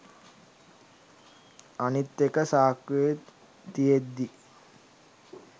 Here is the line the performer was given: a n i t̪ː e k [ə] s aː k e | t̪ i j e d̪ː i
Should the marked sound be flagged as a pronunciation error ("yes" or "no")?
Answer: no